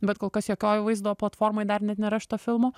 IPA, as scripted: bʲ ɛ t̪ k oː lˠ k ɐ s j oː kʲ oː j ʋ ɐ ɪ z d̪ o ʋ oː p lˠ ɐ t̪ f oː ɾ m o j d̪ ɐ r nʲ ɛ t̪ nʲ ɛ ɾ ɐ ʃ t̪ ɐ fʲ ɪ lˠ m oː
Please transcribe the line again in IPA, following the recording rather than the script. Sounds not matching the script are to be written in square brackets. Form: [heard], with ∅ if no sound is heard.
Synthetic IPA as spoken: bʲ ɛ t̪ k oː lˠ k ɐ s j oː kʲ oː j ʋ ɐ ɪ z d̪ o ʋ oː p lˠ ɐ t̪ f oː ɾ m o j d̪ ɐ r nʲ ɛ t̪ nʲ ɛ ɾ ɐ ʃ t̪ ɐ fʲ ɪ lˠ m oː

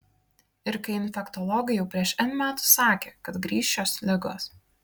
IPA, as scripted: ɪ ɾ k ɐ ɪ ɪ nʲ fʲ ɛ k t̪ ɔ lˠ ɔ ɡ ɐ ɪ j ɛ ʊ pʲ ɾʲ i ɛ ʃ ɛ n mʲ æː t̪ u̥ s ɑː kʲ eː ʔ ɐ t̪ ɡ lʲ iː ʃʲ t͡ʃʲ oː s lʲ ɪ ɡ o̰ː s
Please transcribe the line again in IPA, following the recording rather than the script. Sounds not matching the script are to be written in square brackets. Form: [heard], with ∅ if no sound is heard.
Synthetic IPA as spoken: ɪ ɾ k ɐ ɪ ɪ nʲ fʲ ɛ k t̪ ɔ lˠ ɔ ɡ ɐ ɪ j ɛ ʊ pʲ ɾʲ i ɛ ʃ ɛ n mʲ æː t̪ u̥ s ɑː kʲ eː [k] ɐ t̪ ɡ [ɾʲ] iː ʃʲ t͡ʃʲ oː s lʲ ɪ ɡ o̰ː s

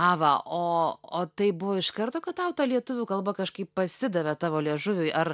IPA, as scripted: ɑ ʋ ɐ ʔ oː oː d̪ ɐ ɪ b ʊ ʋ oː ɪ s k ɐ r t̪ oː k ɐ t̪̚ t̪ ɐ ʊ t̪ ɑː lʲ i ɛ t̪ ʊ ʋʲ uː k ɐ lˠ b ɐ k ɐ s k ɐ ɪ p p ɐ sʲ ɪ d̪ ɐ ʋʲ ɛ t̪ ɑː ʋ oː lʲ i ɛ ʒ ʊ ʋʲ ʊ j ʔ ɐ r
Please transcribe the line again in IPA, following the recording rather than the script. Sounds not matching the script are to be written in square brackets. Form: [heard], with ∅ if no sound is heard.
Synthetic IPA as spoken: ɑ ʋ ɐ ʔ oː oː [t̪] ɐ ɪ b ʊ ʋ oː ɪ [ʃ] k ɐ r t̪ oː k ɐ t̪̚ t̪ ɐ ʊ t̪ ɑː lʲ i ɛ t̪ ʊ ʋʲ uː k ɐ lˠ b ɐ k ɐ [ʃ] k ɐ ɪ p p ɐ sʲ ɪ d̪ ɐ ʋʲ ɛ t̪ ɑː ʋ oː lʲ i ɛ ʒ ʊ ʋʲ ʊ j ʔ ɐ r

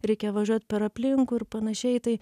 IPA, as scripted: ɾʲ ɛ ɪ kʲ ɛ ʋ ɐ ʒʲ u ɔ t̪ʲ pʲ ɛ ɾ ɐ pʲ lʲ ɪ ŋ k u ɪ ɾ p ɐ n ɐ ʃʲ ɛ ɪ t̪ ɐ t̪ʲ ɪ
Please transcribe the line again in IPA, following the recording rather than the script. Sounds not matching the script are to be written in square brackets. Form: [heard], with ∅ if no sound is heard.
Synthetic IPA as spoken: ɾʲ ɛ ɪ kʲ ɛ ʋ ɐ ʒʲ u ɔ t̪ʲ pʲ ɛ ɾ ɐ pʲ lʲ ɪ ŋ k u ɪ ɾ p ɐ n ɐ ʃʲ ɛ ɪ t̪ ɐ [∅] ɪ

